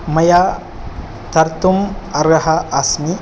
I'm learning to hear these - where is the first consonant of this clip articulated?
lips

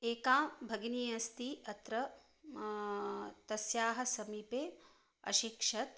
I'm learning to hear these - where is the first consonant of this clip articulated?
velum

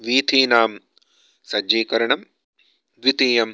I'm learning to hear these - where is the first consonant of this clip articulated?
lips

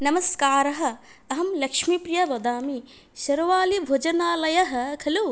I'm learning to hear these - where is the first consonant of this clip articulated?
tongue tip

